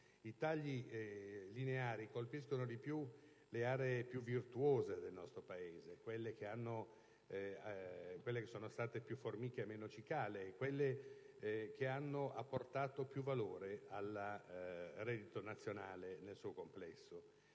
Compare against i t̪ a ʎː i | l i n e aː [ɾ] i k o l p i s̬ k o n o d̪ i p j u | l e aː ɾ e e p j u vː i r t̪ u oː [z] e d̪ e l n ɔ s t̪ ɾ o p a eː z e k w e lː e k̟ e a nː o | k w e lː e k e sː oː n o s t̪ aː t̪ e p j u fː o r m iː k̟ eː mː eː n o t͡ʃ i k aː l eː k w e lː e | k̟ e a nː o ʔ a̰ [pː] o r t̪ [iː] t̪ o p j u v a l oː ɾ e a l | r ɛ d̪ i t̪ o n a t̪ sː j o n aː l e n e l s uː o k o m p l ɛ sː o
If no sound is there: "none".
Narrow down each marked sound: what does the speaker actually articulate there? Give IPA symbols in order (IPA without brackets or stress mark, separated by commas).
ɾ, z, pː, aː